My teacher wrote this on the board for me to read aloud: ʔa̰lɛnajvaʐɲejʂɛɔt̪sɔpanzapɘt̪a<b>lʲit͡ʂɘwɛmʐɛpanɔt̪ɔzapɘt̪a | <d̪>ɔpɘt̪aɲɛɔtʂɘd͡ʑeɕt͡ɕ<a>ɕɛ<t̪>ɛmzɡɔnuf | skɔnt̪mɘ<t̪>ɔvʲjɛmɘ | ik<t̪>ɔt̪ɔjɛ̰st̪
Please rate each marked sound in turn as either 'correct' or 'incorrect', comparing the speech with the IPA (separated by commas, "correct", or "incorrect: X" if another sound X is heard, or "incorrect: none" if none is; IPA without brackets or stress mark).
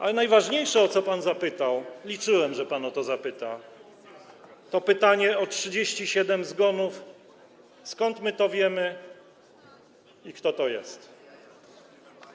incorrect: w, incorrect: t̪, incorrect: i, incorrect: d̪, correct, correct